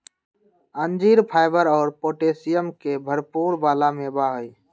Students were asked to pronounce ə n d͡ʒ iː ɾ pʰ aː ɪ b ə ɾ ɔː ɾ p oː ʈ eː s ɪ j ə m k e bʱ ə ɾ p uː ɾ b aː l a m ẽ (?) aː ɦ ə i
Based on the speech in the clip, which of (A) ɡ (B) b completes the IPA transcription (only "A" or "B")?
B